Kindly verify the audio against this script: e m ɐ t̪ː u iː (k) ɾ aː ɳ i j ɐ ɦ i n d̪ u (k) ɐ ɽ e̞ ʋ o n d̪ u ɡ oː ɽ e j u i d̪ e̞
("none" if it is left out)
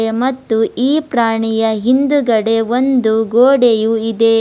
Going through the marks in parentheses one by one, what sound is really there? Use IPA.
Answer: p, ɡ

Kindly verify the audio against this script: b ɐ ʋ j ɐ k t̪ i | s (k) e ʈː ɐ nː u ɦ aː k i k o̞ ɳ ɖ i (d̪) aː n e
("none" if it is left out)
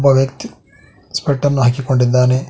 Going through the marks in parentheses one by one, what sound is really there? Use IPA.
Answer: p, d̪ː

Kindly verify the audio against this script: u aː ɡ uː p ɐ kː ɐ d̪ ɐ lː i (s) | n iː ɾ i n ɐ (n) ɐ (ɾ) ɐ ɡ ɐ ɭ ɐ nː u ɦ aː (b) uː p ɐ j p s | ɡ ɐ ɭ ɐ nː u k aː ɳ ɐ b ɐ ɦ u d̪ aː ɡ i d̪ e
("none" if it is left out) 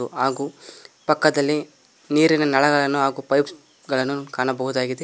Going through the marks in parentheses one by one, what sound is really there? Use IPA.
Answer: none, n, ɭ, ɡ

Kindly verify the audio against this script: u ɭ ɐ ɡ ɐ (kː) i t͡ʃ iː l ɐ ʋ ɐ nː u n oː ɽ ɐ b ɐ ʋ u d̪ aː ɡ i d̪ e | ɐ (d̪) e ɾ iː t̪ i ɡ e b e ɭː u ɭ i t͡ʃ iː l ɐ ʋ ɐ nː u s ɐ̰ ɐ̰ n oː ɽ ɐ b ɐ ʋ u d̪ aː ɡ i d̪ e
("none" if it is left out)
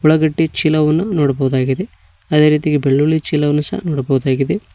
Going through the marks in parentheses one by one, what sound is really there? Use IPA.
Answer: ʈː, d̪

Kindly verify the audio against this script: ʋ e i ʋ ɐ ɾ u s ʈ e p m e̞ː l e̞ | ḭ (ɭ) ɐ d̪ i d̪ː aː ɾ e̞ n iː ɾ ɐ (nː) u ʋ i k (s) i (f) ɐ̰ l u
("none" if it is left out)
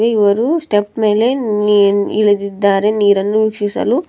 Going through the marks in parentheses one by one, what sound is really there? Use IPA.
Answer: ɭ, nː, ʂ, s

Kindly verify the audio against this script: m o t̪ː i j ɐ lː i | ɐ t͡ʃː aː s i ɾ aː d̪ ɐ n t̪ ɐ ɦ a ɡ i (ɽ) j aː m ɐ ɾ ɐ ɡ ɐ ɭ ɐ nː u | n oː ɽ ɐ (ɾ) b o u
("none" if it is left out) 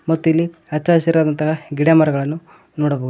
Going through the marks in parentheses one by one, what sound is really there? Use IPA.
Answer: ɽ, none

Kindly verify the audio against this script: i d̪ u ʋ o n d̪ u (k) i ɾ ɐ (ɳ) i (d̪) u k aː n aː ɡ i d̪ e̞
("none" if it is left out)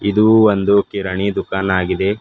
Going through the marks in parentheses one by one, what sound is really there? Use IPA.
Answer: k, ɳ, d̪

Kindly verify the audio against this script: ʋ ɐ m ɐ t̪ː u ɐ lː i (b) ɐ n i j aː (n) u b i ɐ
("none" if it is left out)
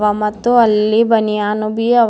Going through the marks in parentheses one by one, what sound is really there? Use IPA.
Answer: b, n

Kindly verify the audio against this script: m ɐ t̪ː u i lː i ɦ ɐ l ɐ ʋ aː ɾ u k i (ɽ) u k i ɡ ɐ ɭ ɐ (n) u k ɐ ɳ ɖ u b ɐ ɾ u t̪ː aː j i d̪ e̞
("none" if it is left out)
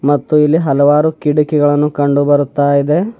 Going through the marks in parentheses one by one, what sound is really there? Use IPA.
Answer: ɽ, nː

